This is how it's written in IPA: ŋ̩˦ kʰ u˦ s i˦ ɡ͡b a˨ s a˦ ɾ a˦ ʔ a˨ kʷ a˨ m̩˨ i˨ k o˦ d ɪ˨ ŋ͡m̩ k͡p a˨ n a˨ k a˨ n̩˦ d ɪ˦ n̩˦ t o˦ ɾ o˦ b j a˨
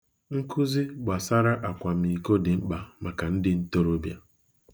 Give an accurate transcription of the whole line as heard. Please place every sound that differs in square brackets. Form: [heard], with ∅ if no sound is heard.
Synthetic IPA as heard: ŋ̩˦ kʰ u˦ [z] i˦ ɡ͡b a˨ s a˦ ɾ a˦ ʔ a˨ kʷ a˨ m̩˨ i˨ k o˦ d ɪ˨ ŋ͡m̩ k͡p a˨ [m] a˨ k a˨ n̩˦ d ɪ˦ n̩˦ t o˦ ɾ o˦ b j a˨